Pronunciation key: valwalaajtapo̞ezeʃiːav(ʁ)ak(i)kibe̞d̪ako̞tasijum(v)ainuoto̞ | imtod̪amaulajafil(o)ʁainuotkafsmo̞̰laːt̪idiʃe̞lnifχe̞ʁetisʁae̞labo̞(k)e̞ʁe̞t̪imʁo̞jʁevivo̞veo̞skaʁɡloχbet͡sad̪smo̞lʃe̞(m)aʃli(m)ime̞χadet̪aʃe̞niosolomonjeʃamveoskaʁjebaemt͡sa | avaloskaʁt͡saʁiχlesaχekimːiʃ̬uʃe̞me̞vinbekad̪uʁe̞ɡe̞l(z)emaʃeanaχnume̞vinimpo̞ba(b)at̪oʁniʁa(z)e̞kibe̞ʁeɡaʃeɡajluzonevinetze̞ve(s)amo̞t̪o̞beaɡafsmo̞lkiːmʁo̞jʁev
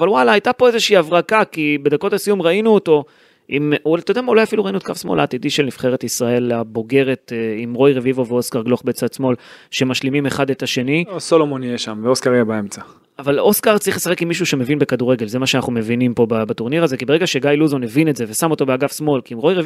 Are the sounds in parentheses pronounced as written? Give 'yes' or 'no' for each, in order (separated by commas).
yes, no, no, no, no, yes, yes, yes, yes, yes, yes